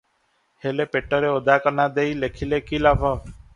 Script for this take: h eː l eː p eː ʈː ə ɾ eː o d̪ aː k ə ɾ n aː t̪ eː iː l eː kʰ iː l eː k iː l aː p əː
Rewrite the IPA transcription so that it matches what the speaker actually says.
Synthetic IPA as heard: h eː l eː p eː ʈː ə ɾ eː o d̪ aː k ə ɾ n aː d̪ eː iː l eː kʰ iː l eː k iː l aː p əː